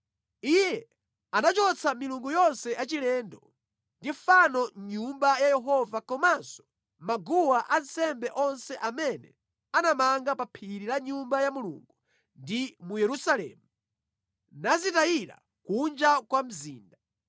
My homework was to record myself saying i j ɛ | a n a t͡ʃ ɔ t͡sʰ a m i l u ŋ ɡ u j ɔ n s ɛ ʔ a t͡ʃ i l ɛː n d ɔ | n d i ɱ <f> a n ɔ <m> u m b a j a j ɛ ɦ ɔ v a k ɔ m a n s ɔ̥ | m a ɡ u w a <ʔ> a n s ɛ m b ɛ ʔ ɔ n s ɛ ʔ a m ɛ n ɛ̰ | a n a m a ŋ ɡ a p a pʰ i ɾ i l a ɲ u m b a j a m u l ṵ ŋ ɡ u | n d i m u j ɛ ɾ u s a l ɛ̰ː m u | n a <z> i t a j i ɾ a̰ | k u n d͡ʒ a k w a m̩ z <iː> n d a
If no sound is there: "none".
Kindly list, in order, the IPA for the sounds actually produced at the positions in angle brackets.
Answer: f, ɲ, ʔ, z, iː

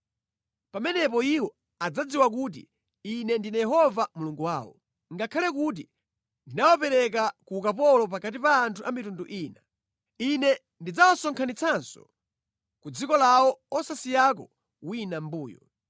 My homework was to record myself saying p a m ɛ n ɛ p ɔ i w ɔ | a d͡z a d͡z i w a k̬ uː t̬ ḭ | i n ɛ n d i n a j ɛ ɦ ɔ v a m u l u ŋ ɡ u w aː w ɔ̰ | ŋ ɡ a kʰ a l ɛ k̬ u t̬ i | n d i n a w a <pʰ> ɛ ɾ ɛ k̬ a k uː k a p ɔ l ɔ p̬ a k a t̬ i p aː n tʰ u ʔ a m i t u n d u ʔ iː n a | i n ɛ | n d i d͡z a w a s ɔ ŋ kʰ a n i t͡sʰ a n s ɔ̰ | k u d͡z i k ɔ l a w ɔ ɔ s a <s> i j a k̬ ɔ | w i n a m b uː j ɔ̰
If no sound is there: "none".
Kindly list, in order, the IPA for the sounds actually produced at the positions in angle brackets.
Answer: p, s

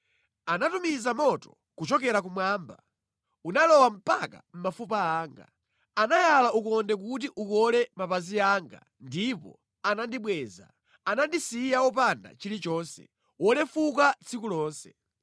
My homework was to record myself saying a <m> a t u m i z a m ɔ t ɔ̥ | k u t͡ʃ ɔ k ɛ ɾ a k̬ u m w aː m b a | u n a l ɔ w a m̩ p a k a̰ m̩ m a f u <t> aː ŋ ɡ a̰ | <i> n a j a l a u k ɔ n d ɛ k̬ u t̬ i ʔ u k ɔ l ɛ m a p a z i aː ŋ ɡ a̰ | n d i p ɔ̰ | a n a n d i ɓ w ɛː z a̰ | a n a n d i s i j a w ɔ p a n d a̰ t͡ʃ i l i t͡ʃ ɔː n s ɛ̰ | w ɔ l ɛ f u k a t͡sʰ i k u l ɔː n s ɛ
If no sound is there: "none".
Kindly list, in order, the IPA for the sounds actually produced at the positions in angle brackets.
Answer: n, p, a

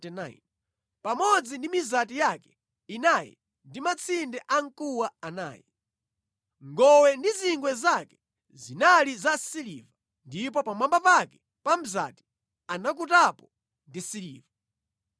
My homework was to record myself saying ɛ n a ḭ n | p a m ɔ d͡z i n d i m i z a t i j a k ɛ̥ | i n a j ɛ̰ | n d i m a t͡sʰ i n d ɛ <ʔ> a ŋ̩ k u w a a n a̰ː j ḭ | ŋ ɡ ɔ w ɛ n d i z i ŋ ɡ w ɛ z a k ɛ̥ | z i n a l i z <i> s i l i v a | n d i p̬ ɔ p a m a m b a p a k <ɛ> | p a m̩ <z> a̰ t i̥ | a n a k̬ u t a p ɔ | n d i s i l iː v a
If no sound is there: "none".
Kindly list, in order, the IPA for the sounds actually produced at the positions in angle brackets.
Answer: ʔ, a, ɛ, z

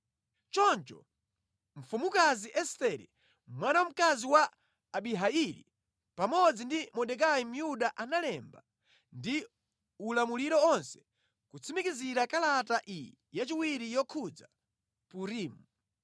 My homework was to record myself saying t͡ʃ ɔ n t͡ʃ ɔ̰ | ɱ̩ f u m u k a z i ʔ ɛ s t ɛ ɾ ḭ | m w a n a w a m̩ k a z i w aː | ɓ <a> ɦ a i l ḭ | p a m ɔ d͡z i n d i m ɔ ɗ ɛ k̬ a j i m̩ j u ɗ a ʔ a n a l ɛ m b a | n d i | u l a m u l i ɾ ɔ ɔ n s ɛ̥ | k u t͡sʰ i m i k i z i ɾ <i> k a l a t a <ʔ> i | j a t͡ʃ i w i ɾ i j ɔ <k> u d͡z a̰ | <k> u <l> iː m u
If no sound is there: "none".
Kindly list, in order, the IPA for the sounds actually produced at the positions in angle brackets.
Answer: i, a, ʔ, kʰ, p, ɾ

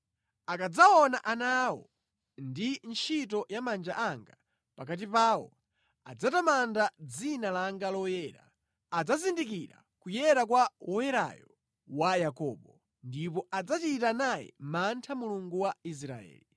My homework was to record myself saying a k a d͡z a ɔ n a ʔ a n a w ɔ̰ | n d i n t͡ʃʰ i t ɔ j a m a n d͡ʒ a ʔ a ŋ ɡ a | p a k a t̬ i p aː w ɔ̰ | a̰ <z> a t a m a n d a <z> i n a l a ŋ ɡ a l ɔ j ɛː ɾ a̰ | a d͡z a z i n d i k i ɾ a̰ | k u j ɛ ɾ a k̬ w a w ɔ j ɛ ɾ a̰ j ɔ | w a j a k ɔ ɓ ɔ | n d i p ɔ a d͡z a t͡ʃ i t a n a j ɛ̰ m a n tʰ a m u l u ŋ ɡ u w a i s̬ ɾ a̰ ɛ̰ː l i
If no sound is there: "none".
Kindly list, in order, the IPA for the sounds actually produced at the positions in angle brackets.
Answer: d͡z, d͡z

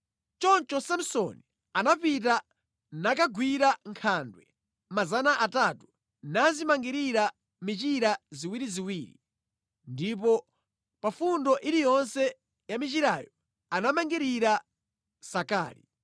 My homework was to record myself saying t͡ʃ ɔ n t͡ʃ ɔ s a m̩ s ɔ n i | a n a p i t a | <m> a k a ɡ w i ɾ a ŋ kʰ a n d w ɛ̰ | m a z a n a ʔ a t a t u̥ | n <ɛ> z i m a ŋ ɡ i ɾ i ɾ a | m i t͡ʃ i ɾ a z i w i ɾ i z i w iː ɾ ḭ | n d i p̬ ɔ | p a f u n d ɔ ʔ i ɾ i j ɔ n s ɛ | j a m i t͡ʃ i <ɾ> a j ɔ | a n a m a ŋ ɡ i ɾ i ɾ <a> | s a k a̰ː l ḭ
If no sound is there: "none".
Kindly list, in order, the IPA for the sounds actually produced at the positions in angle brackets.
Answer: n, a, ɾ, a

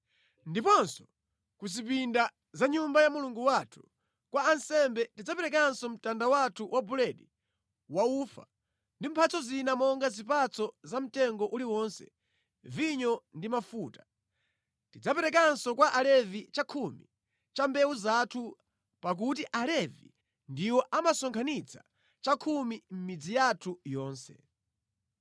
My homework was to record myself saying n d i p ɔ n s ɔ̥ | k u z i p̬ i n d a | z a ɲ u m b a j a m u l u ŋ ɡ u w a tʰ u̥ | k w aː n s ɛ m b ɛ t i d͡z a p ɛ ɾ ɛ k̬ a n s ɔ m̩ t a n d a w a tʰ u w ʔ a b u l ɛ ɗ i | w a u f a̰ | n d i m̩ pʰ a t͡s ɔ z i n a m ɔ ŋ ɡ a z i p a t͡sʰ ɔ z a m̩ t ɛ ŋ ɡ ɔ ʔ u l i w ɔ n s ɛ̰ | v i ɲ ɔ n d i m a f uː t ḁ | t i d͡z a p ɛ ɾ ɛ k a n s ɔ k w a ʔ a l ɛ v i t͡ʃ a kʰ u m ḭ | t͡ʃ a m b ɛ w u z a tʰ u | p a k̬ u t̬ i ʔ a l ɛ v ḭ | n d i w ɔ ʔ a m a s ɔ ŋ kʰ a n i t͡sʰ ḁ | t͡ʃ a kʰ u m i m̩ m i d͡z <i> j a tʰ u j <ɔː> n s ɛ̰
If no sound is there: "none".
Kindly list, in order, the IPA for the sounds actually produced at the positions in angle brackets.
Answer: i, ɔː

